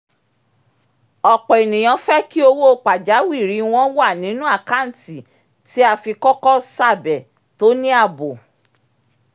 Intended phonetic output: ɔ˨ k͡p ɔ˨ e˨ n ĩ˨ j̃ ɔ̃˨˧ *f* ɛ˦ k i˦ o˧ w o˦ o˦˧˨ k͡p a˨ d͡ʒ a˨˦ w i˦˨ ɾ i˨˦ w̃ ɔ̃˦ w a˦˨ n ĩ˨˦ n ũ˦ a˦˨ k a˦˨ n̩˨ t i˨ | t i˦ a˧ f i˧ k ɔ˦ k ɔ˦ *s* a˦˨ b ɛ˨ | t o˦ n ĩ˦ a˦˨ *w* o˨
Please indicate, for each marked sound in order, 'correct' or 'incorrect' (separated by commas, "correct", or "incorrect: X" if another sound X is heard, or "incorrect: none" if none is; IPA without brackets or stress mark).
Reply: correct, correct, incorrect: b